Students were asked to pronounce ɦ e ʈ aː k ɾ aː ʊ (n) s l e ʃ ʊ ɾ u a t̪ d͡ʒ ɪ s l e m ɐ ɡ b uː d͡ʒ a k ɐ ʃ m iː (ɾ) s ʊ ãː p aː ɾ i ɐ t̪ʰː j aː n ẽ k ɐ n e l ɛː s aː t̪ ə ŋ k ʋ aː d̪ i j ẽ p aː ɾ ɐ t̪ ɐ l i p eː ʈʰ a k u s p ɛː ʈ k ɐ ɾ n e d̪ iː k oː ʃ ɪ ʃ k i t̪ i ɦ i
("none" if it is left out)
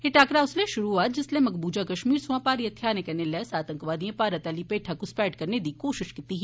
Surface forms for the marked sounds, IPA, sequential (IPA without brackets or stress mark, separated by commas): none, ɾ